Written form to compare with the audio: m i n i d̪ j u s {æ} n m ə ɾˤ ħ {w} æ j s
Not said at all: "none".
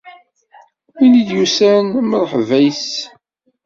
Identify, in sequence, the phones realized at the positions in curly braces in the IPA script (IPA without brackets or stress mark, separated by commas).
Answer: æ, v